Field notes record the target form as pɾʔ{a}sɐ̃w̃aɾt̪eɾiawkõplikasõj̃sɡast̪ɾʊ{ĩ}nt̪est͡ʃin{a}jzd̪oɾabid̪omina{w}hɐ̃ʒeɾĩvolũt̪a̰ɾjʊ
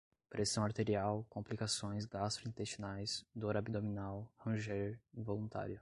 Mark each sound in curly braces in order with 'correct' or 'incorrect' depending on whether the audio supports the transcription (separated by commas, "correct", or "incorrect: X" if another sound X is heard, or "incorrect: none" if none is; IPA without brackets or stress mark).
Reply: incorrect: e, correct, correct, correct